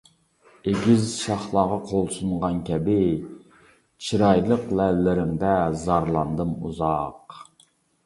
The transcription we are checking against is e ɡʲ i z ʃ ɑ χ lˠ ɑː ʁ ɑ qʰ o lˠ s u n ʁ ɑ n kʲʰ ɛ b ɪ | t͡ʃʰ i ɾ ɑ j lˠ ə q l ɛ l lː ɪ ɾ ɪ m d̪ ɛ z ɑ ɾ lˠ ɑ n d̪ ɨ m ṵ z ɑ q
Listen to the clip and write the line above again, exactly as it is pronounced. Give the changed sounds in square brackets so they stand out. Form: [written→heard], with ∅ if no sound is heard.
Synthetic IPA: e ɡʲ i z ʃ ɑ χ lˠ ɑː ʁ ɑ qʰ o lˠ s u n ʁ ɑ n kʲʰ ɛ b ɪ | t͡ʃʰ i ɾ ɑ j lˠ ə q l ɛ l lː ɪ ɾ ɪ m d̪ ɛ z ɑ ɾ lˠ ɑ n d̪ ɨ m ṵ z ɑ q